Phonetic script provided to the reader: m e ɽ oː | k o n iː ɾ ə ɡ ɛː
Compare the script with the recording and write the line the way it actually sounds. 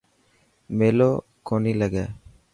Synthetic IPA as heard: m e l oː | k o n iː l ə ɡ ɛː